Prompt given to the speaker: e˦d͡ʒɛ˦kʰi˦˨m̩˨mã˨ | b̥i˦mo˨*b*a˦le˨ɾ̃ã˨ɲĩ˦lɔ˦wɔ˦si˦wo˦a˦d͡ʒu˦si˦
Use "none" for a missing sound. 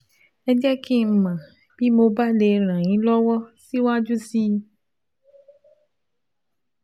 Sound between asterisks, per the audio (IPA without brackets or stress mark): b